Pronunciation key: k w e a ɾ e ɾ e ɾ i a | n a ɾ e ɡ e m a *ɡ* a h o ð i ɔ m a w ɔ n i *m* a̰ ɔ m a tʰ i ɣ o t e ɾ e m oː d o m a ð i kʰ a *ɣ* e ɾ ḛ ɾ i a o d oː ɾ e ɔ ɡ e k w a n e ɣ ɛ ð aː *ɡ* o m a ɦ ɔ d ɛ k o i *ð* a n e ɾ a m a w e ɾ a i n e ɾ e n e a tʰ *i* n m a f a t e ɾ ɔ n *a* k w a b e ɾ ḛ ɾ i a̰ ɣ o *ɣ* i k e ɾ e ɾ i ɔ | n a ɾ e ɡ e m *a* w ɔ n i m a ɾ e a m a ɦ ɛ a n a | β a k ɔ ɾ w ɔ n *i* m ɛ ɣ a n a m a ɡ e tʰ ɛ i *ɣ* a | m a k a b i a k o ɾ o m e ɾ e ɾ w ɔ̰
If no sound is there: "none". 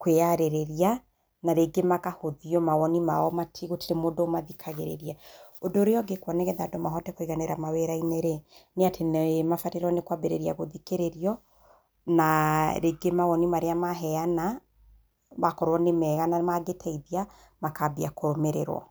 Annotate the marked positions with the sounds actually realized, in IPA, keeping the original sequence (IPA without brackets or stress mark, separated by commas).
k, m, ɣ, d, ɣ, e, e, ð, a, e, ð